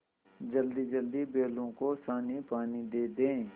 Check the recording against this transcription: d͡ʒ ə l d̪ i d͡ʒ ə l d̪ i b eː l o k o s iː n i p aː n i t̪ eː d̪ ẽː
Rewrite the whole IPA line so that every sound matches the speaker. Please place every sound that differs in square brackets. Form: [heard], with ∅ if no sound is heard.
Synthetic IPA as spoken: d͡ʒ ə l d̪ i d͡ʒ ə l d̪ i b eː l [õ] k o s [aː] n i p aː n i [d̪] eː d̪ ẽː